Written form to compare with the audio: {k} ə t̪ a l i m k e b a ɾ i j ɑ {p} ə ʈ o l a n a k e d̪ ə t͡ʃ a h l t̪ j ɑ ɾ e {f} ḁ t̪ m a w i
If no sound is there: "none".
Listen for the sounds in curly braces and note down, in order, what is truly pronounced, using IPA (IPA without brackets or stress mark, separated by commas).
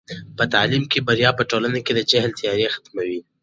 p, p, x